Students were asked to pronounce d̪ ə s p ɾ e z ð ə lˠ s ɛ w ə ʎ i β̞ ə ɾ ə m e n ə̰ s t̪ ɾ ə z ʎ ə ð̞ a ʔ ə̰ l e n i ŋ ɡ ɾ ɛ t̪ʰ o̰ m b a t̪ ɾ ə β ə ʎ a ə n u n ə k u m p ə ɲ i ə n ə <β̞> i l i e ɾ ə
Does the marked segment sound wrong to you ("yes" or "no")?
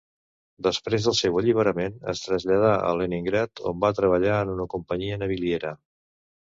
no